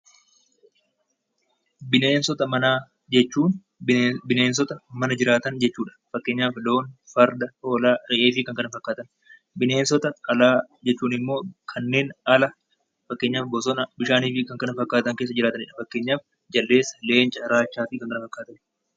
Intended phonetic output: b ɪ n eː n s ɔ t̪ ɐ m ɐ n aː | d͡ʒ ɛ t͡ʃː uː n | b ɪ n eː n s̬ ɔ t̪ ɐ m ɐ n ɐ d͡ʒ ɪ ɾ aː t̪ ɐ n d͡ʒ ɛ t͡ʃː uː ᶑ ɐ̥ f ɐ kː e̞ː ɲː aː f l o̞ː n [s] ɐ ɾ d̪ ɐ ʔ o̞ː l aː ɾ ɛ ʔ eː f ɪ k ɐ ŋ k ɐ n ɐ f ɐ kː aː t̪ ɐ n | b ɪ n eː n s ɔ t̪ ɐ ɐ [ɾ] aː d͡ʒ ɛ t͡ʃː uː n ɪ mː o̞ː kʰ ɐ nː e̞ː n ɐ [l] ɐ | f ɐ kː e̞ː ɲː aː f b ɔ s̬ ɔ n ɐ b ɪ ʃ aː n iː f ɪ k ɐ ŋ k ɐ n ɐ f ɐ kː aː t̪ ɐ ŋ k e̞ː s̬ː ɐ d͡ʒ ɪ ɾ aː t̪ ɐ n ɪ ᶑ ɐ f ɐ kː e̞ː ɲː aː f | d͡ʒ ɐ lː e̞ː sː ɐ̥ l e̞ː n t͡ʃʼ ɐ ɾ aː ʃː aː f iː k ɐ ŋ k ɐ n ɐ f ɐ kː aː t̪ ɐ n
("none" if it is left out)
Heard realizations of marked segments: f, l, l

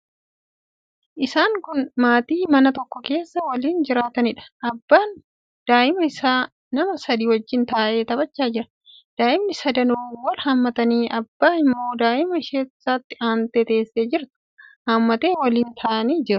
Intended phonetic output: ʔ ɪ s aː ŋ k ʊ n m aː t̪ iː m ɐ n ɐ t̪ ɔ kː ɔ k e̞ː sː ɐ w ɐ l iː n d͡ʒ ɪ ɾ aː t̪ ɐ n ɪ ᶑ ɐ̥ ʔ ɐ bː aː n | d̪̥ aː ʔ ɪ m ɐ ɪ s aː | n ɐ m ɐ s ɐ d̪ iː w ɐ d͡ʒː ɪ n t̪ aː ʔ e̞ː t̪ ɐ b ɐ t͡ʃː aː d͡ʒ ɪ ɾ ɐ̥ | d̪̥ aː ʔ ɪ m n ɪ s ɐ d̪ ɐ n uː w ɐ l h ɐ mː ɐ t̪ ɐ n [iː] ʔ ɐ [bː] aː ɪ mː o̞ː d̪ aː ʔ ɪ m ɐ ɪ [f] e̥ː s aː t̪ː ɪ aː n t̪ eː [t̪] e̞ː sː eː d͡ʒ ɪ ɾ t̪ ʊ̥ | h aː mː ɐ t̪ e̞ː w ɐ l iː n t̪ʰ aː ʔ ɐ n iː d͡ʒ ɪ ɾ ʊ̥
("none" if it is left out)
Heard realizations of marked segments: iː, bː, ʃ, t̪

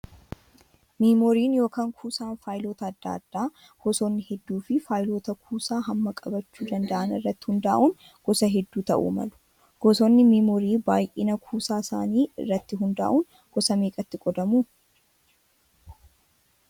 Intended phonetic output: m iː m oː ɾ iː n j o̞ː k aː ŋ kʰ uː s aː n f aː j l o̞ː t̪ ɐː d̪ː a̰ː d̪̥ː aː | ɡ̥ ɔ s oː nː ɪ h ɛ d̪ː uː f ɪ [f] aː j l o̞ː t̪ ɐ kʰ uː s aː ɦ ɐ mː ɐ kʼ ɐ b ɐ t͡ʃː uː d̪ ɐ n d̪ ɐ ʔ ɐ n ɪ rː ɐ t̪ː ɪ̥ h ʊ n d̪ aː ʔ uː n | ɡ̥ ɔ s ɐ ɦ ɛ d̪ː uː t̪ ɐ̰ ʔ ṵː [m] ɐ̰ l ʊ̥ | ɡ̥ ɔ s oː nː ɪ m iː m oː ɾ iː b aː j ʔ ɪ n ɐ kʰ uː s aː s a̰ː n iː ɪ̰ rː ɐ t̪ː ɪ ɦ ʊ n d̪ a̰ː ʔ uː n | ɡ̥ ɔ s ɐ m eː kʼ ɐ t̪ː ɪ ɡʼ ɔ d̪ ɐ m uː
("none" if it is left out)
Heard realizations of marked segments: f, m

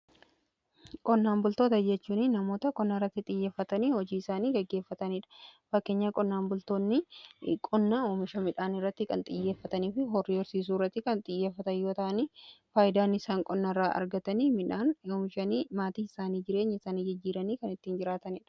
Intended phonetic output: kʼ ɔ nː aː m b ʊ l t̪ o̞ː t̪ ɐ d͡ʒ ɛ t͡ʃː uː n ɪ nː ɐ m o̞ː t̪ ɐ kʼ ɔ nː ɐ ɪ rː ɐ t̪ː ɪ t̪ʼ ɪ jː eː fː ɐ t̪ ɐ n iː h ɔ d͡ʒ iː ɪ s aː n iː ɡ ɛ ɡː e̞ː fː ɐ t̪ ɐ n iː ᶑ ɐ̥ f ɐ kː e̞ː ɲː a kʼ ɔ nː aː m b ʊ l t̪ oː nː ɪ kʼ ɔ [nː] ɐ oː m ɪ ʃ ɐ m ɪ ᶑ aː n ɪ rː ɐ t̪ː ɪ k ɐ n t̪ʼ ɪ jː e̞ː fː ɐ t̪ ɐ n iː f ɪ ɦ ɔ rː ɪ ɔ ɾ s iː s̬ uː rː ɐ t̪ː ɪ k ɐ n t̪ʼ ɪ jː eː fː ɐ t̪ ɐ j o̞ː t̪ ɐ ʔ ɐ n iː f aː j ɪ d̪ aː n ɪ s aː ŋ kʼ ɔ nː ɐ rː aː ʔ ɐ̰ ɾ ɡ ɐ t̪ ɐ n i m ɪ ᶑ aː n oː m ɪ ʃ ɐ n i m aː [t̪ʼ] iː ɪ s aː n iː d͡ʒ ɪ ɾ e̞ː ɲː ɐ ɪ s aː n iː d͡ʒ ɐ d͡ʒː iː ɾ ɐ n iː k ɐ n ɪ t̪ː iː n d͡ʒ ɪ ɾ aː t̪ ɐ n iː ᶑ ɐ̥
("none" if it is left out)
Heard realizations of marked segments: nː, t̪

